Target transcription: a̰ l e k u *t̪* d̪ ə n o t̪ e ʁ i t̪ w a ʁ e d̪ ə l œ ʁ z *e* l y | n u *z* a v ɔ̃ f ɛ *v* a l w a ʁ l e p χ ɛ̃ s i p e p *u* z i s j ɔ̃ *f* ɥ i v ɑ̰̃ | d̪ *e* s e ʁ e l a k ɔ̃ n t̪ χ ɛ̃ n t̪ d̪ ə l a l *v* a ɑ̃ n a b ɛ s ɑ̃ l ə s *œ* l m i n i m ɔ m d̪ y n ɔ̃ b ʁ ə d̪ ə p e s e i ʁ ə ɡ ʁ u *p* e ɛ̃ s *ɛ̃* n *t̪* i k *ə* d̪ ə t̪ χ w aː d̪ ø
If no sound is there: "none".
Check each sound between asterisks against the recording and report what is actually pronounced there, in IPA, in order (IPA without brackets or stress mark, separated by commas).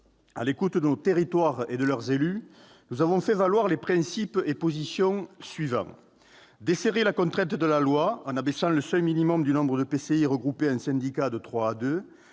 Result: t̪, e, z, v, o, s, e, w, œ, p, ɛ̃, d̪, a